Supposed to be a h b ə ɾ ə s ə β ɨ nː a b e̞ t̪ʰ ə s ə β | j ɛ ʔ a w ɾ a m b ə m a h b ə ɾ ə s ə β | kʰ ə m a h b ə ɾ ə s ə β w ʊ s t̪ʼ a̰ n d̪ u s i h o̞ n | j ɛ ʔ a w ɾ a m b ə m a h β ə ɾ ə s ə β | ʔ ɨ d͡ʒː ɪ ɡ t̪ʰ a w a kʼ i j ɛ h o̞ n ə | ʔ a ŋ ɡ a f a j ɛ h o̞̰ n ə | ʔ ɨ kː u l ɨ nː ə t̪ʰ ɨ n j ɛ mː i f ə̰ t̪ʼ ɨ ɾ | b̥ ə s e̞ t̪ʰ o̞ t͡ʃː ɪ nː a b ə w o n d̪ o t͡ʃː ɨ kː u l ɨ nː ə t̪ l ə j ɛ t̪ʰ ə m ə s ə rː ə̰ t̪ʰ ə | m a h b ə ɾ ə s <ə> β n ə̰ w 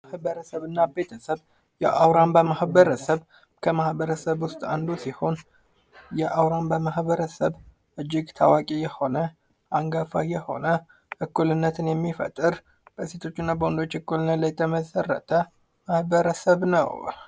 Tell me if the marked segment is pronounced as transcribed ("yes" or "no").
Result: yes